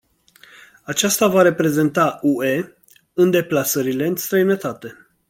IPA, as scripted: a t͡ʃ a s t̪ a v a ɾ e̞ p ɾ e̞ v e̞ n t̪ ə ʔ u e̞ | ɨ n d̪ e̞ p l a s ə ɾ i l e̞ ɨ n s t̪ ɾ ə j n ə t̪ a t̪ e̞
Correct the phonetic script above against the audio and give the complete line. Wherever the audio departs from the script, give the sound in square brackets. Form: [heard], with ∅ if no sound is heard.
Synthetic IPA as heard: a t͡ʃ a s t̪ a v a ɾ e̞ p ɾ e̞ [z] e̞ n t̪ [a] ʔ u e̞ | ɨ n d̪ e̞ p l a s ə ɾ i l e̞ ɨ n s t̪ ɾ ə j n ə t̪ a t̪ e̞